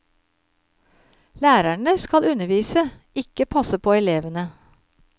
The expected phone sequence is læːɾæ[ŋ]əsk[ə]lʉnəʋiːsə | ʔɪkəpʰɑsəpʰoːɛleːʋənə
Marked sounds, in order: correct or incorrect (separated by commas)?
incorrect, incorrect